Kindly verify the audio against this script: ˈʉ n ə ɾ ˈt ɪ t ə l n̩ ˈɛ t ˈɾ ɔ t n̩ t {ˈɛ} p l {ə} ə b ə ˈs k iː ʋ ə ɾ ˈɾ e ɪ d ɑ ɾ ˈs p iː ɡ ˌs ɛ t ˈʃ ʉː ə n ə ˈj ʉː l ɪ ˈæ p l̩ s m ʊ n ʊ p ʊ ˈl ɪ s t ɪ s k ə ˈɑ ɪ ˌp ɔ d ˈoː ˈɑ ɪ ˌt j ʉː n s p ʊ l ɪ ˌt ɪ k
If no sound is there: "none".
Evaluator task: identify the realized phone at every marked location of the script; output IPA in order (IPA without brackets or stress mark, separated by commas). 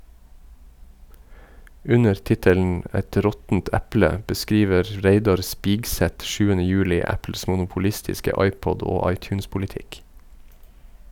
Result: æ, ə